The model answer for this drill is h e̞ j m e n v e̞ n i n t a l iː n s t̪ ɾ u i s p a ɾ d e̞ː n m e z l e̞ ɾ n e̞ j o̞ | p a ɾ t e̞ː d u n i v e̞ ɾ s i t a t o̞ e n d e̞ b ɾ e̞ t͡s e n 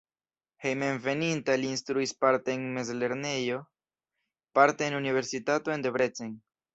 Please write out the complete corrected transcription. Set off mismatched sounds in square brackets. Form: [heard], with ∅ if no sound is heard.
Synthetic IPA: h e̞ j m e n v e̞ n i n t a l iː n s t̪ ɾ u i s p a ɾ [t] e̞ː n m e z l e̞ ɾ n e̞ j o̞ | p a ɾ t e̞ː [n] u n i v e̞ ɾ s i t a t o̞ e n d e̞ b ɾ e̞ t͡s e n

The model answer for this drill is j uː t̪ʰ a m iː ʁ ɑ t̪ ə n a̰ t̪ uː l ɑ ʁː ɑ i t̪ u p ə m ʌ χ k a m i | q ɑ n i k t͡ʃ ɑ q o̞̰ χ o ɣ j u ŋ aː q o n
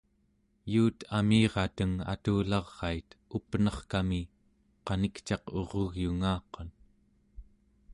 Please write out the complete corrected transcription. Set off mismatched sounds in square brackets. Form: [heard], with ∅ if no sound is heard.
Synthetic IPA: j uː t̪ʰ a m iː ʁ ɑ t̪ ə [ŋ] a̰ t̪ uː l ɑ ʁː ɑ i t̪ u p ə [n] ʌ χ k a m i | q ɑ n i k t͡ʃ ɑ q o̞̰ [ʁ] o ɣ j u ŋ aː q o n

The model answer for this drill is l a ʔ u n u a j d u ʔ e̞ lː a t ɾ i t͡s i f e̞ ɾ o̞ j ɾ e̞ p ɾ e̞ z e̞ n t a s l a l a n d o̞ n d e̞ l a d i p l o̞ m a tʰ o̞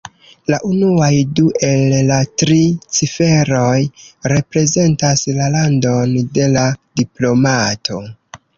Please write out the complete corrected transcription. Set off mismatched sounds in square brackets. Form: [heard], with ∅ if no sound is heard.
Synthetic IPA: l a ʔ u n u a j d u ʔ e̞ lː a t ɾ i t͡s i f e̞ ɾ o̞ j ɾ e̞ p ɾ e̞ z e̞ n t a s l a l a n d o̞ n d e̞ l a d i p l o̞ m a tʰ o̞

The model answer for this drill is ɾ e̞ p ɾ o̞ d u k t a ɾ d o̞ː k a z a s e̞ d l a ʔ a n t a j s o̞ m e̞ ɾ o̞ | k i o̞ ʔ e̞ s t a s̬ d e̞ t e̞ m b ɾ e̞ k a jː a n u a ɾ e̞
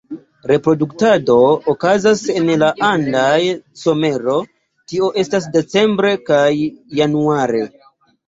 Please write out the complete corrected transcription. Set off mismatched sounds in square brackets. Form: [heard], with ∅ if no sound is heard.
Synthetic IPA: ɾ e̞ p ɾ o̞ d u k t a [∅] d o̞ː k a z a s e̞ [n] l a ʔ a n [d] a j s o̞ m e̞ ɾ o̞ | [t] i o̞ ʔ e̞ s t a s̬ d e̞ [t͡s] e̞ m b ɾ e̞ k a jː a n u a ɾ e̞

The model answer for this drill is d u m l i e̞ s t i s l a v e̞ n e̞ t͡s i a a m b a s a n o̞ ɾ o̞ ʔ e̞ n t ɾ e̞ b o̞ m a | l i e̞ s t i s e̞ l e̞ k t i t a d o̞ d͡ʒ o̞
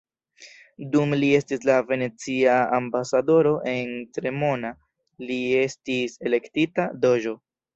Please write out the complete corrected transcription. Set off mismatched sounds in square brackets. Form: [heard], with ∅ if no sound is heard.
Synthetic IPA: d u m l i e̞ s t i s l a v e̞ n e̞ t͡s i a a m b a s a [d] o̞ ɾ o̞ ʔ e̞ n t ɾ e̞ [m] o̞ [n] a | l i e̞ s t i s e̞ l e̞ k t i t a d o̞ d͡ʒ o̞

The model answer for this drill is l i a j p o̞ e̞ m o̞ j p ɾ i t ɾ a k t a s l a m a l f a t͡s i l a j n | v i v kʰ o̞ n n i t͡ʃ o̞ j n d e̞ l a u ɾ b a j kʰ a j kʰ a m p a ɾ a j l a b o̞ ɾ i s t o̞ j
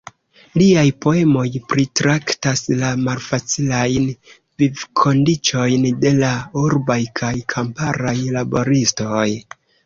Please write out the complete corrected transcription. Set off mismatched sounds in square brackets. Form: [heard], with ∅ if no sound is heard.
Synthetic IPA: l i a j p o̞ e̞ m o̞ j p ɾ i t ɾ a k t a s l a m a l f a t͡s i l a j n | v i v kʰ o̞ n [d] i t͡ʃ o̞ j n d e̞ l a u ɾ b a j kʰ a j kʰ a m p a ɾ a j l a b o̞ ɾ i s t o̞ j

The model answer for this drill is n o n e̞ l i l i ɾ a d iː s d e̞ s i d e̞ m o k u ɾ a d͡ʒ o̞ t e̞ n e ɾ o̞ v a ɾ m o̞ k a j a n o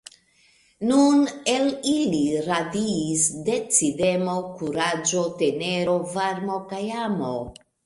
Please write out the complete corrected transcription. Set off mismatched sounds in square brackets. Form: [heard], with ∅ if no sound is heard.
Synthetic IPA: n [u] n e̞ l i l i ɾ a d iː s d e̞ [t͡s] i d e̞ m o k u ɾ a d͡ʒ o̞ t e̞ n e ɾ o̞ v a ɾ m o̞ k a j a [m] o

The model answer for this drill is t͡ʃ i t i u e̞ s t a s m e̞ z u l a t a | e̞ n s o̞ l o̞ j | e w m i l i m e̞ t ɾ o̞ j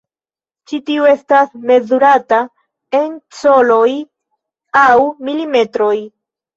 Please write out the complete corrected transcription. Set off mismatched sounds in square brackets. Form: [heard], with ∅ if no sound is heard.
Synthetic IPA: t͡ʃ i t i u e̞ s t a s m e̞ z u [ɾ] a t a | e̞ n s o̞ l o̞ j | [a] w m i l i m e̞ t ɾ o̞ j

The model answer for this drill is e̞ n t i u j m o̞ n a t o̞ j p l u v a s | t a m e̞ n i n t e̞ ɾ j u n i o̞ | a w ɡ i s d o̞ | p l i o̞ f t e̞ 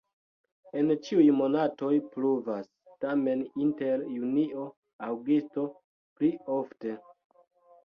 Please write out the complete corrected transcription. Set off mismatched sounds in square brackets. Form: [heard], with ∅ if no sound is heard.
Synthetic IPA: e̞ n [t͡ʃ] i u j m o̞ n a t o̞ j p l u v a s | t a m e̞ n i n t e̞ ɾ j u n i o̞ | a w ɡ i s [t] o̞ | p l i o̞ f t e̞

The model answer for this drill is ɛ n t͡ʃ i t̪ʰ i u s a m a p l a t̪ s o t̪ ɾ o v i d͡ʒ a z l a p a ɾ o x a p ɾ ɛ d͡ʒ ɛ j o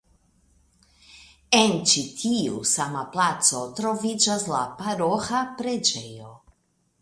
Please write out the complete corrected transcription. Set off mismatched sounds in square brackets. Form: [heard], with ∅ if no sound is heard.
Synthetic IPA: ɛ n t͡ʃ i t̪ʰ i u s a m a p l a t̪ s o t̪ ɾ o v i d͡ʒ a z l a p a ɾ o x a p ɾ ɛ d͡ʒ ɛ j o

